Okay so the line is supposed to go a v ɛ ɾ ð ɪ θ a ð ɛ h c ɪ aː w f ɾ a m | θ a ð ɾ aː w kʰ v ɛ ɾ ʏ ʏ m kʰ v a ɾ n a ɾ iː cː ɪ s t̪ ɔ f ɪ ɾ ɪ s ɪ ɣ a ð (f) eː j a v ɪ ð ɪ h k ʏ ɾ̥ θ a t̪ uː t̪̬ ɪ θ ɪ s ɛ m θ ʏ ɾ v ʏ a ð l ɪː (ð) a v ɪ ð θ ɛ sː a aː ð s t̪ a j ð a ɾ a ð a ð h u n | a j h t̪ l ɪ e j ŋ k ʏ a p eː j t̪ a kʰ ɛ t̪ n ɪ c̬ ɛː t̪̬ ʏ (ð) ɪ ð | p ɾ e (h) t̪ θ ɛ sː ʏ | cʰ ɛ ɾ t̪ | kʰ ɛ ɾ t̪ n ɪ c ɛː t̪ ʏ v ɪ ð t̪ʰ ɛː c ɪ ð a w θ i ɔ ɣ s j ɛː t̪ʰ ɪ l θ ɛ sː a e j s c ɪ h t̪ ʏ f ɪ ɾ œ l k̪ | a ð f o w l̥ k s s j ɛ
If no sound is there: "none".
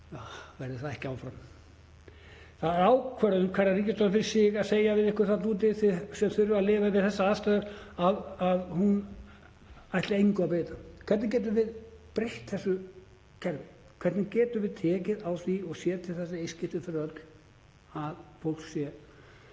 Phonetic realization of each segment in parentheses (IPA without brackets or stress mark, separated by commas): s, v, v, h